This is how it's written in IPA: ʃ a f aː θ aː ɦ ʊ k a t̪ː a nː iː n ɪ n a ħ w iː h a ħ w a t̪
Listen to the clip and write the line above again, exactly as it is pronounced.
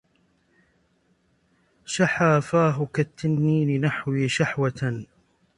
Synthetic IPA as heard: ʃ a ħ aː f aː ɦ ʊ k a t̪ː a nː iː n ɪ n a ħ w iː ʃ a ħ w a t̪